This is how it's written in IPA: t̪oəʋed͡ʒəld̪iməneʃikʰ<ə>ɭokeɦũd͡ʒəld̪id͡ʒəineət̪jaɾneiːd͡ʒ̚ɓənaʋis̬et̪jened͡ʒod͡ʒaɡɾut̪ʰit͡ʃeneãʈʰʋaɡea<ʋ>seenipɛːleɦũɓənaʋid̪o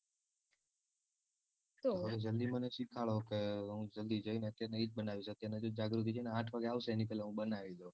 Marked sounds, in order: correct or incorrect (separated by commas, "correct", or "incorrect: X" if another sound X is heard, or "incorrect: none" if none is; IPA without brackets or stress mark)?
incorrect: a, correct